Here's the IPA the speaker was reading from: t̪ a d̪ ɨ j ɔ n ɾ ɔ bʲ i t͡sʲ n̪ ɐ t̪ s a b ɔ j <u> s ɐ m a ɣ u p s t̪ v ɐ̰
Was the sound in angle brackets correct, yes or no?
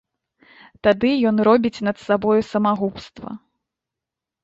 yes